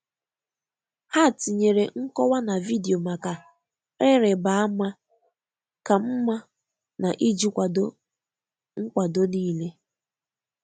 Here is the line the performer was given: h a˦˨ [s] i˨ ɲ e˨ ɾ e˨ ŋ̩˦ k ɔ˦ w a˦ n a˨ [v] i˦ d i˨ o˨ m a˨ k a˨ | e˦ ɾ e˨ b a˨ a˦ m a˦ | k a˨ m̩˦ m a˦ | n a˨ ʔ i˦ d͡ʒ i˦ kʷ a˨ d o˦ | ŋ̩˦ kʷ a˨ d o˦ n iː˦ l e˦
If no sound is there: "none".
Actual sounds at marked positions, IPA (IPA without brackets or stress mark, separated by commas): t, v